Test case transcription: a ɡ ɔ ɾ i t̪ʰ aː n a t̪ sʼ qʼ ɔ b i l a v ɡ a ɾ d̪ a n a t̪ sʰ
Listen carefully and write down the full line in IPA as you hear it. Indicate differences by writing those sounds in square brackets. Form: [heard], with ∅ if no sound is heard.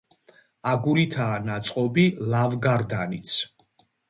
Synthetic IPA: a ɡ [u] ɾ i t̪ʰ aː n a t̪ sʼ qʼ ɔ b i l a v ɡ a ɾ d̪ a n [i] t̪ sʰ